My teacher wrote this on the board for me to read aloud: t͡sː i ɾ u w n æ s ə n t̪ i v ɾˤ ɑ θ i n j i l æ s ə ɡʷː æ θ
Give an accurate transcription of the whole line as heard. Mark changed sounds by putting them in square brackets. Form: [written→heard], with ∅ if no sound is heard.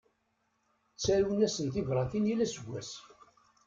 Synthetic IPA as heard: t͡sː [i→æ] ɾ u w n æ s ə n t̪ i v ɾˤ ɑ θ i n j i l æ s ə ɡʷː æ [θ→s]